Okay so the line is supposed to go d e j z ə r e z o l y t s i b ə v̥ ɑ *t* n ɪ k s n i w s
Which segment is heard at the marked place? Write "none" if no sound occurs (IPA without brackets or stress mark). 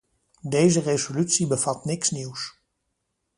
t